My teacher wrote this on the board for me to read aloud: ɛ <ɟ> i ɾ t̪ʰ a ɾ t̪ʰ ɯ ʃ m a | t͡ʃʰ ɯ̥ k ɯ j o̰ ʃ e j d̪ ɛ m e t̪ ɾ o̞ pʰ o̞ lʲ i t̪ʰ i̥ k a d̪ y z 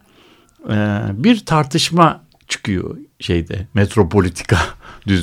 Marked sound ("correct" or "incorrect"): incorrect